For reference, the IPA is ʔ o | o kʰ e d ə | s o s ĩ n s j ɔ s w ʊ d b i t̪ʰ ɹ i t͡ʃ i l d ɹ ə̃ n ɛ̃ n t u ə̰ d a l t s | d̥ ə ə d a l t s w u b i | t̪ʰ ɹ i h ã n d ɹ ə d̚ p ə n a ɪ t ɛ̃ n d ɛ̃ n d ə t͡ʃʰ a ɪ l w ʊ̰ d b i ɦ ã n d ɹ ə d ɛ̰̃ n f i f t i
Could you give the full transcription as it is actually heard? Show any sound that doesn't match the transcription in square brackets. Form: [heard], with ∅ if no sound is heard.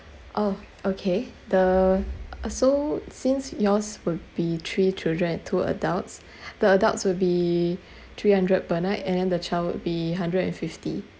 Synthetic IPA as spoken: ʔ o | o kʰ e d ə | s o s ĩ n s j ɔ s w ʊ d b i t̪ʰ ɹ i t͡ʃ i l d ɹ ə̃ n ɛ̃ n [tʰ] u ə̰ d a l t s | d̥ ə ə d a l t s w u b i | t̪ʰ ɹ i h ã n d ɹ ə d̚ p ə n a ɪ t ɛ̃ n d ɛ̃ n d ə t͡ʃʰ a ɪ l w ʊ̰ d b i ɦ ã n d ɹ ə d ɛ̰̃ n f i f t i